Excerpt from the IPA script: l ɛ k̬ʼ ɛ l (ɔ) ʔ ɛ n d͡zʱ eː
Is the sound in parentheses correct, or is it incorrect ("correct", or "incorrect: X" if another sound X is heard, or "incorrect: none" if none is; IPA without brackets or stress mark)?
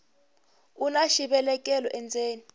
correct